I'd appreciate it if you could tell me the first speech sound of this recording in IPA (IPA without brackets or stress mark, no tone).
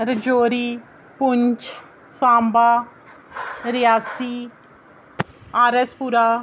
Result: ɾ